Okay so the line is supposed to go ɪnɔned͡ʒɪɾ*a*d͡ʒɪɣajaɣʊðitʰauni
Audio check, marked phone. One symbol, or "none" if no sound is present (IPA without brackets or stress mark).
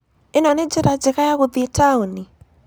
a